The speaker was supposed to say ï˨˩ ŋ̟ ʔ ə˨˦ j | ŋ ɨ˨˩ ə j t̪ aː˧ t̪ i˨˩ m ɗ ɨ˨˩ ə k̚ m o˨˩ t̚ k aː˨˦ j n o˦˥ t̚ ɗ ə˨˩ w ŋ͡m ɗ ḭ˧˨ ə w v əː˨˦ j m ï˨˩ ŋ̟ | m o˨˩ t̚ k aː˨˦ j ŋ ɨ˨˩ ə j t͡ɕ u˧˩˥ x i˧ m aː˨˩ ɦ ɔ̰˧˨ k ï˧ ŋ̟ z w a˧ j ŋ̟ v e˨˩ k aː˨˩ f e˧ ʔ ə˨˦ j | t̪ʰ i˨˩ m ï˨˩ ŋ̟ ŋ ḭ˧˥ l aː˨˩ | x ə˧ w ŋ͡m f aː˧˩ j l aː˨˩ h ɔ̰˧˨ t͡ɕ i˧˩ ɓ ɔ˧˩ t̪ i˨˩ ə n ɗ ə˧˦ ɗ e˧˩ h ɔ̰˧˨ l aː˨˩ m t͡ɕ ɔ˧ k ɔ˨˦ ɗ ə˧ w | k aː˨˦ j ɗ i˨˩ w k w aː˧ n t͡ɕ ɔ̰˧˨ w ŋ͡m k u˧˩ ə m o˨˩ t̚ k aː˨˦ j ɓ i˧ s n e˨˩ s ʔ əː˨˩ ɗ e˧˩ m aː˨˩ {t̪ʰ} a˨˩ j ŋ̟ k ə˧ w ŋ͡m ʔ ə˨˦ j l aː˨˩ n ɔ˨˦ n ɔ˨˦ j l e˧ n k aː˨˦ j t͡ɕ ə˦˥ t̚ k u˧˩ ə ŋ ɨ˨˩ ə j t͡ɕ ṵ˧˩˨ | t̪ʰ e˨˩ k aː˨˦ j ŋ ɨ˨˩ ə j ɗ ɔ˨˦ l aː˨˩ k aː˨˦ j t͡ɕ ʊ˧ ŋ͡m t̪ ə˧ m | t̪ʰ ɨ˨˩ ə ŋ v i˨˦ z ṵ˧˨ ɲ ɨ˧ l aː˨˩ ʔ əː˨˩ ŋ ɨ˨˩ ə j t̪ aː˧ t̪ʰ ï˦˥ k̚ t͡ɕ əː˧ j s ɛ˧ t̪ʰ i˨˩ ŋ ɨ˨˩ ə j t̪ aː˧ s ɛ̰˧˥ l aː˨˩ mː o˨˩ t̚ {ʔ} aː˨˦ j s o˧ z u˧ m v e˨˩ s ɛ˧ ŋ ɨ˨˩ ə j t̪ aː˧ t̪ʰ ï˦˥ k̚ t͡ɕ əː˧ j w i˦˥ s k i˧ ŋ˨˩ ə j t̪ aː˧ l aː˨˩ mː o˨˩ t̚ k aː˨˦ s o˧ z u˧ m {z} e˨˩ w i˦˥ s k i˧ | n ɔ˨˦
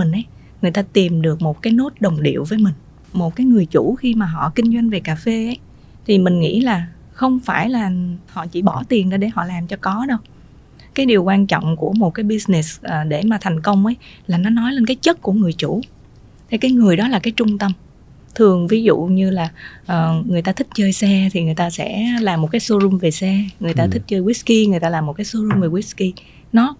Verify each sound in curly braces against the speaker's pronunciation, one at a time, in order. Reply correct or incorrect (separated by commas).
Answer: correct, incorrect, incorrect